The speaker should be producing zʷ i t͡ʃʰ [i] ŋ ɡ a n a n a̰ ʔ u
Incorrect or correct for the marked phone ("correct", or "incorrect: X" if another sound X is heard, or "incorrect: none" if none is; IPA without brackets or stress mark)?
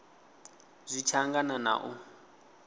incorrect: a